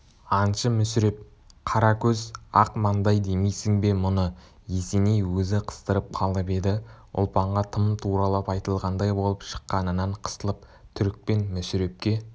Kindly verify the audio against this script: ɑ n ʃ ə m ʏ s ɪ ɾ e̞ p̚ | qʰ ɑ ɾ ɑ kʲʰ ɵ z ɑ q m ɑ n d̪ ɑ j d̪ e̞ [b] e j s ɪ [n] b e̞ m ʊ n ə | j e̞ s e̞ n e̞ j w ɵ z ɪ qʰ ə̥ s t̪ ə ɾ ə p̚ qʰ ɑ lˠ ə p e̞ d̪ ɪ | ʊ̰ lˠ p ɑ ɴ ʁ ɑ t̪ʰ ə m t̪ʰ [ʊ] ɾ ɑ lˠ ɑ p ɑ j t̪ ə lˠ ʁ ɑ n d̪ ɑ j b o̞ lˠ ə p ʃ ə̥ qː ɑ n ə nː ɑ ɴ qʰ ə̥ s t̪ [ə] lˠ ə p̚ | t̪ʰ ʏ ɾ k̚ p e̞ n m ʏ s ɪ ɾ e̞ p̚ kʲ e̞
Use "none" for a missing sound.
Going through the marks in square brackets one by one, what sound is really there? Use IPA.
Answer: m, ŋ, u, ə

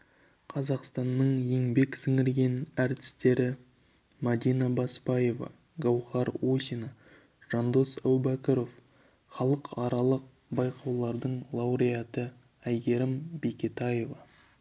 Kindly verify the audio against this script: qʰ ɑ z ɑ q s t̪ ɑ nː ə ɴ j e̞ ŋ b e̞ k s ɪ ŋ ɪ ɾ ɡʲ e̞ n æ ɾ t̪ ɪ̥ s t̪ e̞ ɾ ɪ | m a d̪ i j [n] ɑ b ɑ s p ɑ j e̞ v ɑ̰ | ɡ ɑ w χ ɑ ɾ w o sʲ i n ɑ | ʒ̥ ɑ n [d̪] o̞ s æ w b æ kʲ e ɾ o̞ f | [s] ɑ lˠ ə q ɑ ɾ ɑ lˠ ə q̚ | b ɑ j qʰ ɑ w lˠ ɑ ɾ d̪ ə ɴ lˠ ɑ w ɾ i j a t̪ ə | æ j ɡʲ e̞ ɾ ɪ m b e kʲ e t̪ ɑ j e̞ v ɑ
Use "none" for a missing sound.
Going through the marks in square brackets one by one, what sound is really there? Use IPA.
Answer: n, d̪, χ

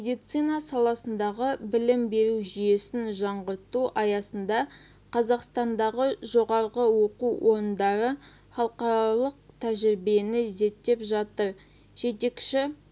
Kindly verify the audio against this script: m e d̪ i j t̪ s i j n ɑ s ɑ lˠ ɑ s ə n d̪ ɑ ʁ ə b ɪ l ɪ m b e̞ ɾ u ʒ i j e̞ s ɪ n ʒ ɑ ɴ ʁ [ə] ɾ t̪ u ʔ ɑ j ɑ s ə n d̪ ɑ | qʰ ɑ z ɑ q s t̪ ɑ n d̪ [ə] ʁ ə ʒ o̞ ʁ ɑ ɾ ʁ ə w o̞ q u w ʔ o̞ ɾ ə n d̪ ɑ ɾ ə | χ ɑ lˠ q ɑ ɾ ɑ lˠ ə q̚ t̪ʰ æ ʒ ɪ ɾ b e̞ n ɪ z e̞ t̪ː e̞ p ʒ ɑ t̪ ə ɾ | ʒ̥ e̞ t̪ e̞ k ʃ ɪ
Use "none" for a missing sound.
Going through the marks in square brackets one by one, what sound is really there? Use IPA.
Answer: ə, ɑ

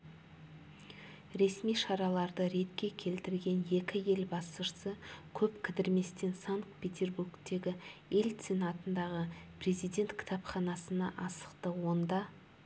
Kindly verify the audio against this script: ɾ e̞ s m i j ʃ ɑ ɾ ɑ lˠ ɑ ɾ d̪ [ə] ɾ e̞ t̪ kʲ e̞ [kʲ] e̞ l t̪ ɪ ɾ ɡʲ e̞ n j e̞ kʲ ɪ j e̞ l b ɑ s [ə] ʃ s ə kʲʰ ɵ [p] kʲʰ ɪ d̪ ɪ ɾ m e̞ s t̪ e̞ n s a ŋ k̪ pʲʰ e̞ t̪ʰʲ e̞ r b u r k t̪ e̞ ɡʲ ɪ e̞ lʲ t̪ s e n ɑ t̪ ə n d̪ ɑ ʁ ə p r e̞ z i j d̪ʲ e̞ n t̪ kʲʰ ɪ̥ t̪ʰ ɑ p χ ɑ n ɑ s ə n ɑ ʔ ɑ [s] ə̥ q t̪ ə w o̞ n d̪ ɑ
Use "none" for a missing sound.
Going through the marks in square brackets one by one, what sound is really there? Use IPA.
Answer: ə, kʲʰ, ə, p, s

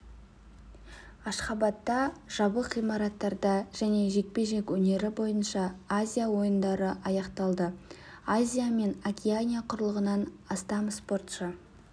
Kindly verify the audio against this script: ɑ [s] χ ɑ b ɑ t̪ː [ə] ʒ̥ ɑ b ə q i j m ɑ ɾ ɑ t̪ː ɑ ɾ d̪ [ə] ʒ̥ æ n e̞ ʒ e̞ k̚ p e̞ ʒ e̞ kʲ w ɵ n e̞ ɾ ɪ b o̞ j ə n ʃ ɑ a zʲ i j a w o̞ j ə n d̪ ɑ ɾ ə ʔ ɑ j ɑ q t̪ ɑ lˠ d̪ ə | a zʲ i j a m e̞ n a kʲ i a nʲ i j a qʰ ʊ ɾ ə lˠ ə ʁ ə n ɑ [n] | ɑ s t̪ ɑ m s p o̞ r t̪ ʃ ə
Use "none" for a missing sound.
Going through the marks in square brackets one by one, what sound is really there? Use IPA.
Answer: ʃ, ɑ, ɑ, n

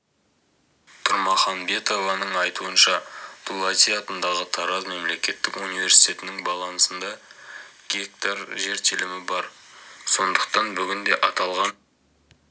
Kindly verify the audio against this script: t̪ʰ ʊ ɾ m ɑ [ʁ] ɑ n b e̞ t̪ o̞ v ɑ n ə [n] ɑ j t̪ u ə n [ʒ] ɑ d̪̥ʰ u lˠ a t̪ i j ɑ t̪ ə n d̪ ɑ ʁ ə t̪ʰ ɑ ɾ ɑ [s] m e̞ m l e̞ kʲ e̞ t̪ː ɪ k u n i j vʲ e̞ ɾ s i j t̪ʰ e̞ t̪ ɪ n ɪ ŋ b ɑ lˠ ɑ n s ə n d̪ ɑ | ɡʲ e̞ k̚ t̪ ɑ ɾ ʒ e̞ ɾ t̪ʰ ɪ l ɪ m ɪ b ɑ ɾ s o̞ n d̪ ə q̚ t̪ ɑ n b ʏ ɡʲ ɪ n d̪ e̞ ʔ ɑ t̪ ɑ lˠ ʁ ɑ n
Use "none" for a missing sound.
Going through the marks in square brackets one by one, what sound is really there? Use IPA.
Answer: χ, ɴ, ʃ, z

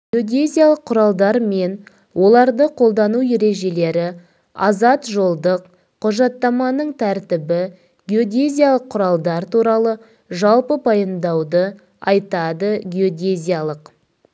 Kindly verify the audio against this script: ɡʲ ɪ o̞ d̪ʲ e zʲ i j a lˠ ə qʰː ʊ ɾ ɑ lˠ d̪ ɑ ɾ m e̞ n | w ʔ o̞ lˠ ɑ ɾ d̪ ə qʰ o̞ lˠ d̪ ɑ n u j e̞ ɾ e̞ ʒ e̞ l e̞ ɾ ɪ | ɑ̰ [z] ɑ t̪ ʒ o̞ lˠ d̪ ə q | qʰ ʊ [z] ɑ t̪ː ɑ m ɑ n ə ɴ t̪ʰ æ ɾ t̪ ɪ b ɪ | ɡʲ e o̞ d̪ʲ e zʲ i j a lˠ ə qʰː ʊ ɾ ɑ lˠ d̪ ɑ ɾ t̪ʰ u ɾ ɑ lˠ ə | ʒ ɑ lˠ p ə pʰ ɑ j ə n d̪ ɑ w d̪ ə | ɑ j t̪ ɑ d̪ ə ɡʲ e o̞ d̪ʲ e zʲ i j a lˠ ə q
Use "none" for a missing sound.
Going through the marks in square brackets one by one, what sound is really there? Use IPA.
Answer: z, ʒ

